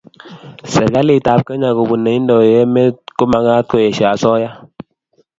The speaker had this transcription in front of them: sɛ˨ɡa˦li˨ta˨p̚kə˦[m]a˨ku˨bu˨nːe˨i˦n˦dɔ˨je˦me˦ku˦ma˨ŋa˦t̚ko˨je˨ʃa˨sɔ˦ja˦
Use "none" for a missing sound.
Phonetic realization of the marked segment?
ɲ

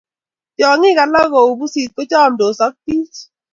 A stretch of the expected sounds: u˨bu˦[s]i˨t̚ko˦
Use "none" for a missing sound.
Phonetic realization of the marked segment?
s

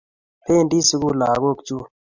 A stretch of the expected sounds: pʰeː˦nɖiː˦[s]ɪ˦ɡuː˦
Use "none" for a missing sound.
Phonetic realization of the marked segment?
s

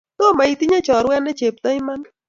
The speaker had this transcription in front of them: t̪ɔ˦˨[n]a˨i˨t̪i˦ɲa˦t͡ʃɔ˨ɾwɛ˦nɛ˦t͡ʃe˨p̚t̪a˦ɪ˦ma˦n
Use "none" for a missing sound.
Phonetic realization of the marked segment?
m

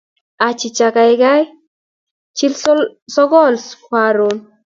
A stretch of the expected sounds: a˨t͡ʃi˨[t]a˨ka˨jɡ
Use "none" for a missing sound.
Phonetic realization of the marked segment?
t͡ʃ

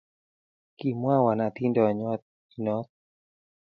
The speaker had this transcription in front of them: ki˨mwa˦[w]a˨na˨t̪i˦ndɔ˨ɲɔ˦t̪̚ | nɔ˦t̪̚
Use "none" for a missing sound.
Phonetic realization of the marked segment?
w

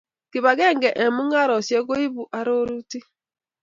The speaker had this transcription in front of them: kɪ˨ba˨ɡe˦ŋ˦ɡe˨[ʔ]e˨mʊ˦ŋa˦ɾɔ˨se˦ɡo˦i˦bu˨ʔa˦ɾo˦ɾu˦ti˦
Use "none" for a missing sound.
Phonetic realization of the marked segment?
ʔ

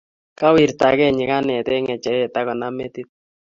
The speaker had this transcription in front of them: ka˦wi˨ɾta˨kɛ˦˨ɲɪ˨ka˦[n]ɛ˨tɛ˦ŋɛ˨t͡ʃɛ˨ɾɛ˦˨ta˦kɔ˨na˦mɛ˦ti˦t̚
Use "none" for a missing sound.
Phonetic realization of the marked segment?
n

